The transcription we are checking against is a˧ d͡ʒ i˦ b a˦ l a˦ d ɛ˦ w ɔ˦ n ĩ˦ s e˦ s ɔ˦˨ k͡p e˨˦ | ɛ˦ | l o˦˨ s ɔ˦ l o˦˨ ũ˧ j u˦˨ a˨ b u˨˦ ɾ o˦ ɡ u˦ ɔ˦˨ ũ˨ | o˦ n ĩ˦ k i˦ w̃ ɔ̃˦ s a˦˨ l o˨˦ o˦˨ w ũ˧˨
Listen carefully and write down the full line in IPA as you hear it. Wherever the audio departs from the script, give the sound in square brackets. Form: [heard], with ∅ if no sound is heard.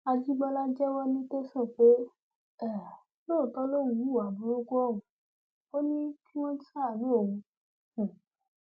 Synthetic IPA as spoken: a˧ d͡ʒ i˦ [ɡ͡b] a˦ l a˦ [d͡ʒ] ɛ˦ w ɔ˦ n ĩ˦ [t] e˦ s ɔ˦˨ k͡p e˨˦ | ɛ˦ | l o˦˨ [t] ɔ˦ l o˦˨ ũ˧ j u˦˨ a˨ b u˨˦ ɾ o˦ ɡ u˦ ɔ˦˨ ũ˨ | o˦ n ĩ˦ k i˦ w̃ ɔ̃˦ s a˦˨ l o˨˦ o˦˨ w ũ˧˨